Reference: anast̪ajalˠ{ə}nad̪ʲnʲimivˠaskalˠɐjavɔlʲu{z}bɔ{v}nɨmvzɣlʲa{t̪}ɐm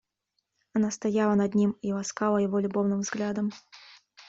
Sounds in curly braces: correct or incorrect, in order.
incorrect, incorrect, incorrect, incorrect

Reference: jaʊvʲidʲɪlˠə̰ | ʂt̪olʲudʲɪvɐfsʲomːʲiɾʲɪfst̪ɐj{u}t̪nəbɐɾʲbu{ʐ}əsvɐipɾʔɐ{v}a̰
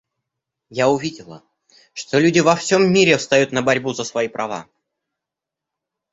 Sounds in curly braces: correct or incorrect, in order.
correct, incorrect, correct

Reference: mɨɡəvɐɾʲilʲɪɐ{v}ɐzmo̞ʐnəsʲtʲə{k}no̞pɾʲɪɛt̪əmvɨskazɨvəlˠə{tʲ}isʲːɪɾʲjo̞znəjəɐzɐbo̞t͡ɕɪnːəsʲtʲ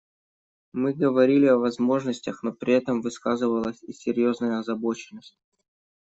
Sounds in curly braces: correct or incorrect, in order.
correct, incorrect, incorrect

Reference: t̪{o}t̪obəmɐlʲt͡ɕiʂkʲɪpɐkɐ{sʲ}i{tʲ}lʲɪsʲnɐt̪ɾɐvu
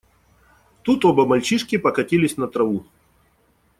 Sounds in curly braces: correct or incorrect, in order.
incorrect, incorrect, incorrect

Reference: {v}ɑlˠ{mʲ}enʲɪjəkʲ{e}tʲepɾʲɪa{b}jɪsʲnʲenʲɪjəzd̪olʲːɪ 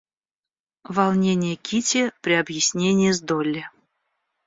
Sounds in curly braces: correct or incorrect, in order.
correct, incorrect, incorrect, correct

